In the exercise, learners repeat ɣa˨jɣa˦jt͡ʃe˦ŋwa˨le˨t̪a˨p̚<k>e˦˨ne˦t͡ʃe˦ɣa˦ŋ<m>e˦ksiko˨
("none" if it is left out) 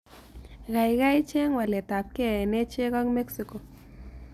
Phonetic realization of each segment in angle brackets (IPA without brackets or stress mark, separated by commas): k, m